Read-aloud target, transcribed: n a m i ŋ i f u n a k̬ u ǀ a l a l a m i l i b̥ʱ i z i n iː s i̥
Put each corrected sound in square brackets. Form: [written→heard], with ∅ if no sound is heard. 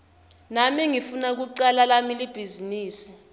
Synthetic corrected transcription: n a m i ŋ i f u n a k̬ u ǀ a l a l a m i l i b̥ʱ i z i n iː s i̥